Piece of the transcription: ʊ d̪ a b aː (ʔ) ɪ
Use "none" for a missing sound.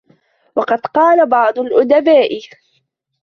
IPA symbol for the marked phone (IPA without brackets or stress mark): ʔ